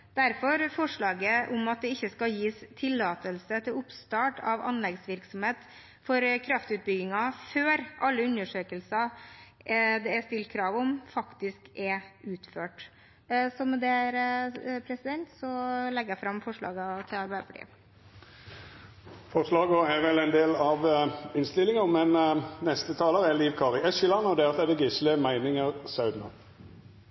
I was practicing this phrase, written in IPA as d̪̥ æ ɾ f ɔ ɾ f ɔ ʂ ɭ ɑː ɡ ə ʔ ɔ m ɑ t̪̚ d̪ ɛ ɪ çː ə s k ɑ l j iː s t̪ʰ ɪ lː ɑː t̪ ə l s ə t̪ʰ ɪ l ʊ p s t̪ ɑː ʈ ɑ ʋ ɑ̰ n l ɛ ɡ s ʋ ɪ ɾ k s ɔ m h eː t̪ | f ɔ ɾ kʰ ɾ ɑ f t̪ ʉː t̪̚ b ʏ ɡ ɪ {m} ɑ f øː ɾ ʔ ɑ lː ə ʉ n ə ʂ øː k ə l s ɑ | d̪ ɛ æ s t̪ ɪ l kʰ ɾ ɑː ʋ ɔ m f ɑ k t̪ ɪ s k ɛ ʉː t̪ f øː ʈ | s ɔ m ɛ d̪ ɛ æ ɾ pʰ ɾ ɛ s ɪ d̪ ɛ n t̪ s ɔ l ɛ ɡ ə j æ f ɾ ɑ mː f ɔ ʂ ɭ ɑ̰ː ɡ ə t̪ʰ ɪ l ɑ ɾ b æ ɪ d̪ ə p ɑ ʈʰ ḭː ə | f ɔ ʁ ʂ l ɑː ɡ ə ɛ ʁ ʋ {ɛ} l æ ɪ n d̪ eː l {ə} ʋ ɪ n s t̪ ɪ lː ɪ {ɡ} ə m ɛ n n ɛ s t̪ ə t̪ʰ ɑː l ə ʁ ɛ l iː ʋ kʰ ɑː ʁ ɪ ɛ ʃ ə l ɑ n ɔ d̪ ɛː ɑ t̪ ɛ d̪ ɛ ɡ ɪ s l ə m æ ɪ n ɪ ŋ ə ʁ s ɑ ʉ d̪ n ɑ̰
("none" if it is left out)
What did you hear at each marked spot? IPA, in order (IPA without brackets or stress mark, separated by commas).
ŋ, ɛ, ɑ, ŋ